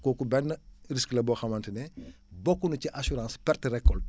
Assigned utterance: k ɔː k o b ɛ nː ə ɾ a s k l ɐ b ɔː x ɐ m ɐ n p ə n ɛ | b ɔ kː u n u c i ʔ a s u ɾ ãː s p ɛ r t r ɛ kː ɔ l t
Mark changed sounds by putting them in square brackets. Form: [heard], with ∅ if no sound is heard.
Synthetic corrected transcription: k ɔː k [u] b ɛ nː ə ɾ [i] s k l ɐ b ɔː x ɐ m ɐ n [t] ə n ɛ | b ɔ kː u n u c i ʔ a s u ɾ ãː s p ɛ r t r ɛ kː ɔ l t